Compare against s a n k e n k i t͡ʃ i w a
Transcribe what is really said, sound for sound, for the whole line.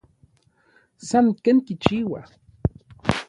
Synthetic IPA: s a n k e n k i t͡ʃ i w a